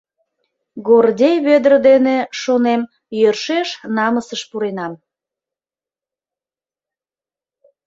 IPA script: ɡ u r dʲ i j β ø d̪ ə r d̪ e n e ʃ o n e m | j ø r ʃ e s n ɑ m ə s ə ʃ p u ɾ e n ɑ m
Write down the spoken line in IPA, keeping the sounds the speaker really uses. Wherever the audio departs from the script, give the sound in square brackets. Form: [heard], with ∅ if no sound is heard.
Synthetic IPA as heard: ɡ [o] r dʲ [e] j β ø d̪ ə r d̪ e n e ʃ o n e m | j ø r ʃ e [ʃ] n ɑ m ə s ə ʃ p u ɾ e n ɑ m